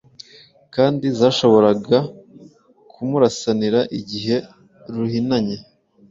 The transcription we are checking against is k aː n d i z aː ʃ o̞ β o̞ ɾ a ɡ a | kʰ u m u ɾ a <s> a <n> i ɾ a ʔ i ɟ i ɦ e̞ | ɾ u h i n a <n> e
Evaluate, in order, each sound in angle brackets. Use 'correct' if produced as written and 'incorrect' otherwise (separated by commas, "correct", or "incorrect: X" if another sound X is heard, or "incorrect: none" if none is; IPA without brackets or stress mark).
correct, correct, incorrect: ɲ